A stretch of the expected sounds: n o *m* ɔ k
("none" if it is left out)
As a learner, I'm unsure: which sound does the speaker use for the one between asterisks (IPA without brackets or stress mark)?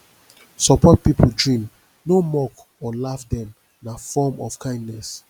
m